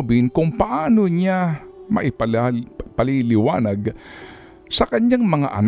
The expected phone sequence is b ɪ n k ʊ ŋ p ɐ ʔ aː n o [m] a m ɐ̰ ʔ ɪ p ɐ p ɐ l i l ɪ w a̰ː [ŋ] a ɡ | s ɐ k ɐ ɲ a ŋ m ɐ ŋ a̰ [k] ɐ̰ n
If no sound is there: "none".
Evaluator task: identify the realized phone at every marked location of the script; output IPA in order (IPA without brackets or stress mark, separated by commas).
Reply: ɲ, n, ʔ